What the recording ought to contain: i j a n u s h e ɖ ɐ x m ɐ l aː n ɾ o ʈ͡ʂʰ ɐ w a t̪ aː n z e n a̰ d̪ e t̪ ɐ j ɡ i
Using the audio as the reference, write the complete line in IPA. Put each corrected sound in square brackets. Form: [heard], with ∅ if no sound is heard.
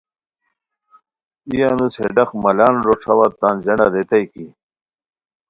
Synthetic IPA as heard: i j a n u s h e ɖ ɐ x m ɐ l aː n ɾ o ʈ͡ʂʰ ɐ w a t̪ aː n z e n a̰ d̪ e t̪ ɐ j [k] i